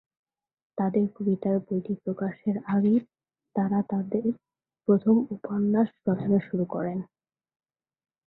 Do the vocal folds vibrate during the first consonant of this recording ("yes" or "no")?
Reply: no